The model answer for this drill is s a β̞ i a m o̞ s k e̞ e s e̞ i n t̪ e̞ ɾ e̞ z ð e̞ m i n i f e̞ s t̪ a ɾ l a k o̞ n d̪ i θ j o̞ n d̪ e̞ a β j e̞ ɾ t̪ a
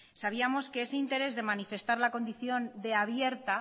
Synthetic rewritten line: s a β̞ i a m o̞ s k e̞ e s e̞ i n t̪ e̞ ɾ e̞ z ð e̞ m a n i f e̞ s t̪ a ɾ l a k o̞ n d̪ i θ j o̞ n d̪ e̞ a β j e̞ ɾ t̪ a